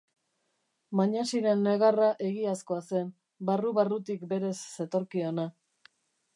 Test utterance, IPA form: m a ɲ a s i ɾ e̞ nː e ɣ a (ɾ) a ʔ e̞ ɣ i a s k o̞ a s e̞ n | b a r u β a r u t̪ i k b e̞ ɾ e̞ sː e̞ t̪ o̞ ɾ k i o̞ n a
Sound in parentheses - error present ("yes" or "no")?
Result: yes